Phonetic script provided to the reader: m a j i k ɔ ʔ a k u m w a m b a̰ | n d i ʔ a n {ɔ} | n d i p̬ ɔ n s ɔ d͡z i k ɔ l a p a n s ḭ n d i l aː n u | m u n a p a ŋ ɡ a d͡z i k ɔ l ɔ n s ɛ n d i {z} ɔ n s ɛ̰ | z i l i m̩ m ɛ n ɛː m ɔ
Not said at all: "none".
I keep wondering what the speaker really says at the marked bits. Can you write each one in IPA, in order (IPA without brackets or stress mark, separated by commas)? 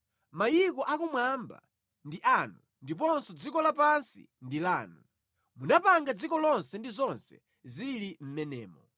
u, z